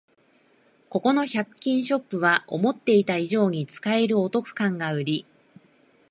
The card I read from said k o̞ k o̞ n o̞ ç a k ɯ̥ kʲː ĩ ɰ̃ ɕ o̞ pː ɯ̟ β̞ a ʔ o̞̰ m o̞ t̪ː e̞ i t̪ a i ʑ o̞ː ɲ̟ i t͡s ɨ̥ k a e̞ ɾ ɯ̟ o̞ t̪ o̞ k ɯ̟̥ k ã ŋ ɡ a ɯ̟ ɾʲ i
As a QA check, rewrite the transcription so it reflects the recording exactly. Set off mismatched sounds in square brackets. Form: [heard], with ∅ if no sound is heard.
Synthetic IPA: k o̞ k o̞ n o̞ ç a k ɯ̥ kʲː ĩ ɰ̃ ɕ o̞ pː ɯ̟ β̞ a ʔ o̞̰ m o̞ t̪ː e̞ i t̪ a i ʑ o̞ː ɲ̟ i t͡s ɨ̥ k a e̞ ɾ ɯ̟ o̞ t̪ o̞ k ɯ̟̥ k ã ŋ ɡ a ɯ̟ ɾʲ i